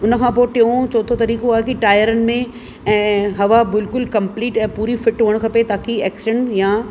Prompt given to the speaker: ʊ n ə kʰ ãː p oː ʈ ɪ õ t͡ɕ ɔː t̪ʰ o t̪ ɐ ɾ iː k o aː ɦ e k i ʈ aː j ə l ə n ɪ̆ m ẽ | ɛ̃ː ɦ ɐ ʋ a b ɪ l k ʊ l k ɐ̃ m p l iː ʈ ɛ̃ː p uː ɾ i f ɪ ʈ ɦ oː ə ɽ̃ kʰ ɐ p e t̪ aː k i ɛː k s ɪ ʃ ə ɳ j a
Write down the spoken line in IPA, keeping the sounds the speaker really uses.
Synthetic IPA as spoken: ʊ n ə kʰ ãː p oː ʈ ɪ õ t͡ɕ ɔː t̪ʰ o t̪ ɐ ɾ iː k o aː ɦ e k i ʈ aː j ə ɾ ə n ɪ̆ m ẽ | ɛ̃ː ɦ ɐ ʋ a b ɪ l k ʊ l k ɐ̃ m p l iː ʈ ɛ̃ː p uː ɾ i f ɪ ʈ ɦ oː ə ɽ̃ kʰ ɐ p e t̪ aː k i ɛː k s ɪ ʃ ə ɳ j a